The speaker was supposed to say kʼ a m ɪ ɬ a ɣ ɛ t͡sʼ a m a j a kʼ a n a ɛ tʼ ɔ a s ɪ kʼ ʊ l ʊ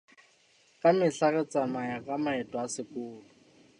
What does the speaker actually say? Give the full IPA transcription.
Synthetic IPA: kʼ a m ɪ ɬ a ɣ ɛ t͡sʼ a m a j a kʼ a m a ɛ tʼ ɔ a s ɪ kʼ ʊː l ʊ